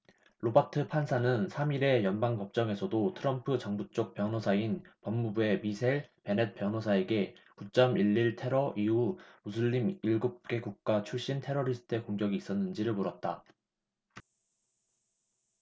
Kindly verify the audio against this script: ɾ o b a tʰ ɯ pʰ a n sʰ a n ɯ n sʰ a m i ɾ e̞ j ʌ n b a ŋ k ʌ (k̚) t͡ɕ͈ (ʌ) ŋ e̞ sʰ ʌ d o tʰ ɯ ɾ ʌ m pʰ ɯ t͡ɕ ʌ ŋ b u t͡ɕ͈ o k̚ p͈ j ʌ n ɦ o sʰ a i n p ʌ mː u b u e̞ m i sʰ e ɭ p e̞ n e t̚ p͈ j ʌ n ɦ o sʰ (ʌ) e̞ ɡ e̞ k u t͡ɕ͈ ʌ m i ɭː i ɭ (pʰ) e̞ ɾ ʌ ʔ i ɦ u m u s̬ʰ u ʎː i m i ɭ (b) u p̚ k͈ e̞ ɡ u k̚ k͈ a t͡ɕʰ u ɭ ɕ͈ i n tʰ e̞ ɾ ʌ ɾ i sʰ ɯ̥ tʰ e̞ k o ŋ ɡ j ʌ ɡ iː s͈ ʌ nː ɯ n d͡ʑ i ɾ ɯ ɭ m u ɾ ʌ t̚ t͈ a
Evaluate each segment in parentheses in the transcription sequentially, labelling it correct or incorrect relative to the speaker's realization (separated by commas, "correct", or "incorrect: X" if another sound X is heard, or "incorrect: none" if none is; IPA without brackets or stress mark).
incorrect: p̚, correct, incorrect: a, incorrect: tʰ, incorrect: ɡ